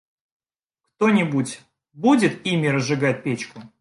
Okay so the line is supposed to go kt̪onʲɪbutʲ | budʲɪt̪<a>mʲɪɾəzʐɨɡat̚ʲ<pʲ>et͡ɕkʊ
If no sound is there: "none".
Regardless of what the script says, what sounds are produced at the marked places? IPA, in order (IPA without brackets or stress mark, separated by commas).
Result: i, pʲ